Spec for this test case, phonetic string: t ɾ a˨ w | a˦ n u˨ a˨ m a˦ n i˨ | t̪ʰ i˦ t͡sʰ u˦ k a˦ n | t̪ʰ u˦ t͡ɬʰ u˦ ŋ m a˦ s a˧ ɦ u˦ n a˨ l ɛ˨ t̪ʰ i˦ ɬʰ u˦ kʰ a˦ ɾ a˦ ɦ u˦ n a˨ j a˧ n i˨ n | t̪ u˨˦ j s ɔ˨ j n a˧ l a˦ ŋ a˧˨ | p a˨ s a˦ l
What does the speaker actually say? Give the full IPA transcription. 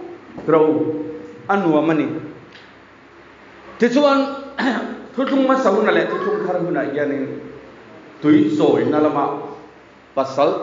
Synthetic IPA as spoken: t ɾ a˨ w | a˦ n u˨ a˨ m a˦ n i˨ | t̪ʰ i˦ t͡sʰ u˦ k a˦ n | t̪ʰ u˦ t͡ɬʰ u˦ ŋ m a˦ s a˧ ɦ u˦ n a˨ l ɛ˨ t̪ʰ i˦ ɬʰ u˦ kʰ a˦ ɾ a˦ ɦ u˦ n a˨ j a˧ n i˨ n | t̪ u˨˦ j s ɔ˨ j n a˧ l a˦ m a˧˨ | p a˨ s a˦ l